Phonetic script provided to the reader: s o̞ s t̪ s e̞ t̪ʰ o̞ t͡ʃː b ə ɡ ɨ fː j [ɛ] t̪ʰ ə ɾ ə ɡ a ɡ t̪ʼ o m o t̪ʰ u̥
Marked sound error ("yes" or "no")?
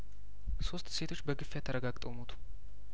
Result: yes